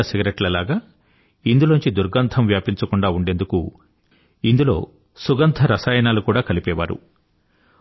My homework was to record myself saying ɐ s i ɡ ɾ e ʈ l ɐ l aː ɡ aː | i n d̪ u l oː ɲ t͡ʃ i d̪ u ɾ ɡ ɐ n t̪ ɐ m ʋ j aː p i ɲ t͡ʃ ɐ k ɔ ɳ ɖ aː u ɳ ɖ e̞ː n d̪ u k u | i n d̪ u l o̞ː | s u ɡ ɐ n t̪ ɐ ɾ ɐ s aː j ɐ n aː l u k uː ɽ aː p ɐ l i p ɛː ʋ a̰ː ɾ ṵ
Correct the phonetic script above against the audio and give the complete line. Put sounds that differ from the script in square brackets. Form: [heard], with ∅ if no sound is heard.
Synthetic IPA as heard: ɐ s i ɡ ɾ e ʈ l ɐ l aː ɡ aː | i n d̪ u l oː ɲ t͡ʃ i d̪ u ɾ ɡ ɐ n [t̪ʰ] ɐ m ʋ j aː p i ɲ t͡ʃ ɐ k [u] ɳ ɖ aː u ɳ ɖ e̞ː n d̪ u k u | i n d̪ u l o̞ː | s u ɡ ɐ n [t̪ʰ] ɐ ɾ ɐ s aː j ɐ n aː l u k uː ɽ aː [k] ɐ l i p ɛː ʋ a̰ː ɾ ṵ